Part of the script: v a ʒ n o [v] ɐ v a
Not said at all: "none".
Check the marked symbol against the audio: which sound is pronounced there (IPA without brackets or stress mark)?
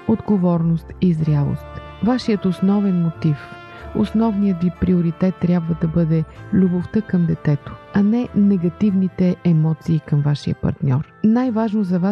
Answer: z